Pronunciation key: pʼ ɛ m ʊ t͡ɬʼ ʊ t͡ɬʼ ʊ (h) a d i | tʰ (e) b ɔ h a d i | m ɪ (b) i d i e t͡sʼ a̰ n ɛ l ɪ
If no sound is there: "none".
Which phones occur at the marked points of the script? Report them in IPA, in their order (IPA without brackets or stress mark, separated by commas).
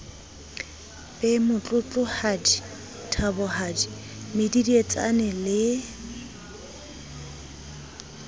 h, a, d